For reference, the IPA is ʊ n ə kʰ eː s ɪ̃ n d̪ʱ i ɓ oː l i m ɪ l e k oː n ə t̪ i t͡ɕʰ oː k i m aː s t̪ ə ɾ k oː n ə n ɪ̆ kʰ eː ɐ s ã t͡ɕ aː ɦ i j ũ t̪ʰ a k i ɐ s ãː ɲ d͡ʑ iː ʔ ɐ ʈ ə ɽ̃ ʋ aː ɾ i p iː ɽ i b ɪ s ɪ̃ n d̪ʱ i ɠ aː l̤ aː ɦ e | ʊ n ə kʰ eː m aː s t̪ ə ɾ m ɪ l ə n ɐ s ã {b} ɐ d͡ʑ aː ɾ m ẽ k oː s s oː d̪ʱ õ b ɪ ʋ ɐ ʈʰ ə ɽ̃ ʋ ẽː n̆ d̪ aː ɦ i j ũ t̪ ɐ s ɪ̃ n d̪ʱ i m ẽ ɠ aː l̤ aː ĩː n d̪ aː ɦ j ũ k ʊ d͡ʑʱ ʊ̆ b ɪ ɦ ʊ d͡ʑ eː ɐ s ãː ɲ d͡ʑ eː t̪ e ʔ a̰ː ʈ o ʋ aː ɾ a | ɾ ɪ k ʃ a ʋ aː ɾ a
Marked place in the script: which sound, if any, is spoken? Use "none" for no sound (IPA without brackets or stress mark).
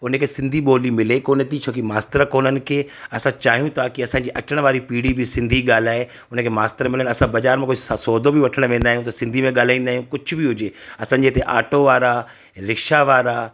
b